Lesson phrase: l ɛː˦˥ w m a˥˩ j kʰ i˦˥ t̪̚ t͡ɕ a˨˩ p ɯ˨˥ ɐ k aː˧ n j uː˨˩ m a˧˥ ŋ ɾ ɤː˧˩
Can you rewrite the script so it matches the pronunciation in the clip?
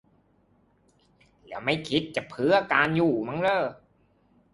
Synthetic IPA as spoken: l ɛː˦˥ w m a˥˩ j kʰ i˦˥ t̪̚ t͡ɕ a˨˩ pʰ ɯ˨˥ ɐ k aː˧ n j uː˨˩ m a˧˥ ŋ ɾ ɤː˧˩